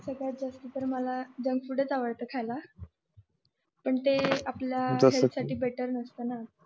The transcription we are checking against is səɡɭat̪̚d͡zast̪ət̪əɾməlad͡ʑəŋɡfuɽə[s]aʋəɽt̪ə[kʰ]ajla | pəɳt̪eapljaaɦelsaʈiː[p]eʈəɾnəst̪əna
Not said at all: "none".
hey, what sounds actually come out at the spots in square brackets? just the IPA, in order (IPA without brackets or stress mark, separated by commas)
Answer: t͡s, kʰ, b